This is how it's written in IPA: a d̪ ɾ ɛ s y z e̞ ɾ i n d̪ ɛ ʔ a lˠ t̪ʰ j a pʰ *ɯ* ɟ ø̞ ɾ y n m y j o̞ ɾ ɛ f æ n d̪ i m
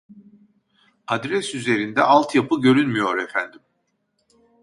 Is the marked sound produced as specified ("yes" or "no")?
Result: yes